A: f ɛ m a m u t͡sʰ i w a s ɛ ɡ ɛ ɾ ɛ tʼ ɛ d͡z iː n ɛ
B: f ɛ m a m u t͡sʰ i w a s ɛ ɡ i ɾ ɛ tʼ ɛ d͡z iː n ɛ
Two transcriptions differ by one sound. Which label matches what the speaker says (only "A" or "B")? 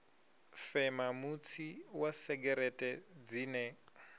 A